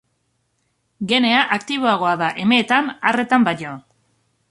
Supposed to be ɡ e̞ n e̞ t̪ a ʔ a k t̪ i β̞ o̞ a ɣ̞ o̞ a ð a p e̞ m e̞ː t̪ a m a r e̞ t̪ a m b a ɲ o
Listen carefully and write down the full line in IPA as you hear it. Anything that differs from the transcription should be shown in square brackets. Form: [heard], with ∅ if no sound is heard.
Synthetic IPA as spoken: ɡ e̞ n e̞ [∅] a ʔ a k t̪ i β̞ o̞ a ɣ̞ o̞ a ð a [ʔ] e̞ m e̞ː t̪ a [n] a r e̞ t̪ a m b a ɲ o